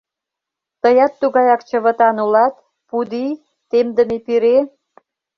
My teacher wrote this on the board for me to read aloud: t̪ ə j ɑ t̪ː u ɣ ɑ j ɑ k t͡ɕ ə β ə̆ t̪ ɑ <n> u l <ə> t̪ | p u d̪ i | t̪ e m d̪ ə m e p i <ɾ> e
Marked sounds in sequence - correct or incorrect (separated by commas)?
correct, incorrect, correct